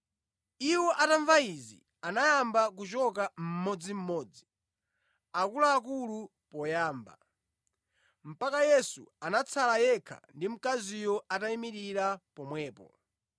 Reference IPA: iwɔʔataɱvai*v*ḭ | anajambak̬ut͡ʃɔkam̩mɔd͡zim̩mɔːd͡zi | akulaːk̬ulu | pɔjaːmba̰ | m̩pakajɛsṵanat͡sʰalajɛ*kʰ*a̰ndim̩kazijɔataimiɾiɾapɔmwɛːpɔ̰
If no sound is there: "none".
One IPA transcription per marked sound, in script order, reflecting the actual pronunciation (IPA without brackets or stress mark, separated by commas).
z, kʰ